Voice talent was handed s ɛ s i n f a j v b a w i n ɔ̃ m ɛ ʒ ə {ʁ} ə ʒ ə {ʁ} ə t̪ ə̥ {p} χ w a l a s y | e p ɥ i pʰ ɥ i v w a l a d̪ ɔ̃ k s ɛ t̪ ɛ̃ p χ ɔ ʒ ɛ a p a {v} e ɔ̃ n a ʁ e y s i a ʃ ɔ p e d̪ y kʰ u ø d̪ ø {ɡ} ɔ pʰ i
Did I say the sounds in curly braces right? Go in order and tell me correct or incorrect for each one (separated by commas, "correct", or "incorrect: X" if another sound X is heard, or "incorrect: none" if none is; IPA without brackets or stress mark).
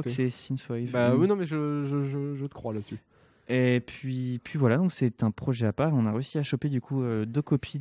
incorrect: ʒ, incorrect: ʒ, incorrect: k, incorrect: ʁ, incorrect: k